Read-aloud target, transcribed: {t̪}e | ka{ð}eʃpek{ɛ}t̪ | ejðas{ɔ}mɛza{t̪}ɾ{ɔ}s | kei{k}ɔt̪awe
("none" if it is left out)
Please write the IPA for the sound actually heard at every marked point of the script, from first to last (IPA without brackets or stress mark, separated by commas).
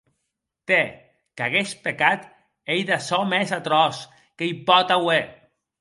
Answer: t̪, ɣ, a, ɔ, t̪, ɔ, p